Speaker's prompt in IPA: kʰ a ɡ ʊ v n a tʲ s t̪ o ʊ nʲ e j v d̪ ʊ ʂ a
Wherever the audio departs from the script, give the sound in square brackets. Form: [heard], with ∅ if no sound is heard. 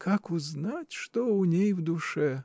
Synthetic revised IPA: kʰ a [k] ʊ [z] n a tʲ [ʂ] t̪ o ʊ nʲ e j v d̪ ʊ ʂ [ɛ]